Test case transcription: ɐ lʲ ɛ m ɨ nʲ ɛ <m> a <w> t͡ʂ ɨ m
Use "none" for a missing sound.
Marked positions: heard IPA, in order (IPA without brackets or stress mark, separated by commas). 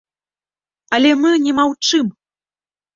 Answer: m, w